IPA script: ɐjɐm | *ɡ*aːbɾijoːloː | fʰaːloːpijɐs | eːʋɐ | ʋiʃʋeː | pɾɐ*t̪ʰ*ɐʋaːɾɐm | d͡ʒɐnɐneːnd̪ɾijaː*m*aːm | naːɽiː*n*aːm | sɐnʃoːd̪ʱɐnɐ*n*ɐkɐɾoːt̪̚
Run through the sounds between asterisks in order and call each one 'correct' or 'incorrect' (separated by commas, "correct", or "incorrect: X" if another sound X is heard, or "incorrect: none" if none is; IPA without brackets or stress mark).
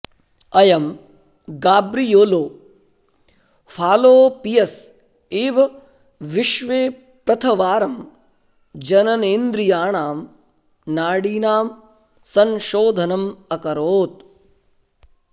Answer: correct, correct, incorrect: ɳ, correct, incorrect: m